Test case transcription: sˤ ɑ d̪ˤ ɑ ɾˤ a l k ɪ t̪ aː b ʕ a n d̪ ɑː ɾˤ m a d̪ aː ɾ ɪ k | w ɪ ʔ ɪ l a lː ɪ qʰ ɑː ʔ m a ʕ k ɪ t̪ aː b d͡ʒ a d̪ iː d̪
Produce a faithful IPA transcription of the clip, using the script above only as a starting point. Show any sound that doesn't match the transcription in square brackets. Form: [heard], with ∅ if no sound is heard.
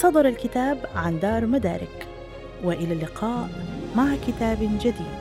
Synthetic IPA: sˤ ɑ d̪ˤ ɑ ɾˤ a l k ɪ t̪ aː b ʕ a n d̪ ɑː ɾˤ m a d̪ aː ɾ ɪ k | w ɪ ʔ ɪ l a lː ɪ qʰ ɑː ʔ m a ʕ k ɪ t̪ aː b d͡ʒ a d̪ iː d̪